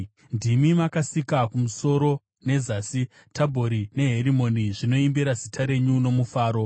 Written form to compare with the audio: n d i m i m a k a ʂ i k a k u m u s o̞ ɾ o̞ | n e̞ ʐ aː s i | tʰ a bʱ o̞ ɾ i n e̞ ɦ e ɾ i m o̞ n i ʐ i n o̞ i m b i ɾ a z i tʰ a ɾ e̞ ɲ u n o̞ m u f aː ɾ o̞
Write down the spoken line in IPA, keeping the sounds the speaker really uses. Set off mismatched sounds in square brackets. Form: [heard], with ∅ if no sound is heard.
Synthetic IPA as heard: n d i m i m a k a [s] i k a k u m u s o̞ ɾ o̞ | n e̞ [z] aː s i | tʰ a bʱ o̞ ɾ i n e̞ ɦ e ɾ i m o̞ n i ʐ i n o̞ i m b i ɾ a z i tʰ a ɾ e̞ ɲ u n o̞ m u f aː ɾ o̞